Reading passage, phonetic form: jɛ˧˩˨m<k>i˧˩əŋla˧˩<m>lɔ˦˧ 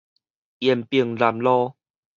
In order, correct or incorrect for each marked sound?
incorrect: p, correct

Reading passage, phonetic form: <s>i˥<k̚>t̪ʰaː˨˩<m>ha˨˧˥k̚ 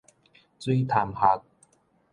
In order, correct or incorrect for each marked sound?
incorrect: t͡s, incorrect: none, correct

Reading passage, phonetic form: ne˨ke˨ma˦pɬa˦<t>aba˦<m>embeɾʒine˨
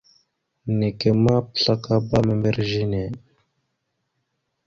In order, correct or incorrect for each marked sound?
incorrect: k, correct

